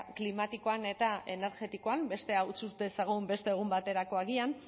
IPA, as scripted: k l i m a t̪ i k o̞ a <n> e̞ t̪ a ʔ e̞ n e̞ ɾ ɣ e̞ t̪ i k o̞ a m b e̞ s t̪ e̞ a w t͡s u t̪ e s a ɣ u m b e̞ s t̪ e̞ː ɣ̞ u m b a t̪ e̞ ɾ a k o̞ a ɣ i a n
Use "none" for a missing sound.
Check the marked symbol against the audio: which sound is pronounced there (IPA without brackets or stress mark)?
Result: n